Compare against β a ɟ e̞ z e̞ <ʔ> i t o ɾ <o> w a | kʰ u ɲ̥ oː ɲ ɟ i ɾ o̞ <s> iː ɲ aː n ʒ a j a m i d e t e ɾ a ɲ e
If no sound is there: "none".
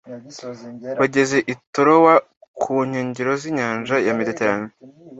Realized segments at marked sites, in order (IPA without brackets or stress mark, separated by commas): ʔ, o, z